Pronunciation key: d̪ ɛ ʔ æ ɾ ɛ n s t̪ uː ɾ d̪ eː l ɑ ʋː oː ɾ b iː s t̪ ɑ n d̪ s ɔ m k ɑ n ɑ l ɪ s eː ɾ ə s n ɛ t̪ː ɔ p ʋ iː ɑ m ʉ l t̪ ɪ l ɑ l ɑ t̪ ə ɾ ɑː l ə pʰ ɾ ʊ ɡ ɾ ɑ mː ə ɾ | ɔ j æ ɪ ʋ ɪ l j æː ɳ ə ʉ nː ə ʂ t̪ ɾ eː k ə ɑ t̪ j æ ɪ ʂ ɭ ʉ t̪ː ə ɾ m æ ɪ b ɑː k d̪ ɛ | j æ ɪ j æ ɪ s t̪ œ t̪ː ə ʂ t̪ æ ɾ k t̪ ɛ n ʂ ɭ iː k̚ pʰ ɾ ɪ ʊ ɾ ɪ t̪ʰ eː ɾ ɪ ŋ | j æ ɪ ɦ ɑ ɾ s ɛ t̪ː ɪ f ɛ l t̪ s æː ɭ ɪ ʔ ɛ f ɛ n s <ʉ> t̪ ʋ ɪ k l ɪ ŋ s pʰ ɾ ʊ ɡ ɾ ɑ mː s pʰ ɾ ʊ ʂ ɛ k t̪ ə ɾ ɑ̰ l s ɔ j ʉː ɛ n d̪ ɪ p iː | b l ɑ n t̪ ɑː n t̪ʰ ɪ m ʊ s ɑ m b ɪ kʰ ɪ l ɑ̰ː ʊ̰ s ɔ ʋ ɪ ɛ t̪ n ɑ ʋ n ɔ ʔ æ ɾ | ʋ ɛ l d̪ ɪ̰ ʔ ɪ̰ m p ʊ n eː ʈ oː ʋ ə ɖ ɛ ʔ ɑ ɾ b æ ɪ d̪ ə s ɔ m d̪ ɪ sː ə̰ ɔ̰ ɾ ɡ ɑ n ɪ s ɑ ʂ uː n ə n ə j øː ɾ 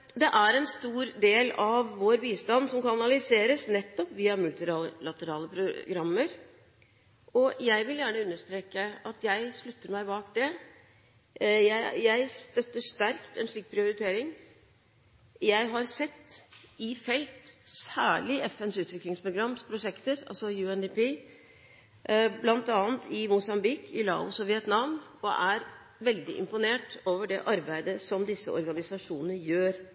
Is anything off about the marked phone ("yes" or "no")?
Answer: yes